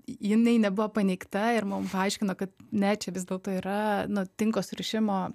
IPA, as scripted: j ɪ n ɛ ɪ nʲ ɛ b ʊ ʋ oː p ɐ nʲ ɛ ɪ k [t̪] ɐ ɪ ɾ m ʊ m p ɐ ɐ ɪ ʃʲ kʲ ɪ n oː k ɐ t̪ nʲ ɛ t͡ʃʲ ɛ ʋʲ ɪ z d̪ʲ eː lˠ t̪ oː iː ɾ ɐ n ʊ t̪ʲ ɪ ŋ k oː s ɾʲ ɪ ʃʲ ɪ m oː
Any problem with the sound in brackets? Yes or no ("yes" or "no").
no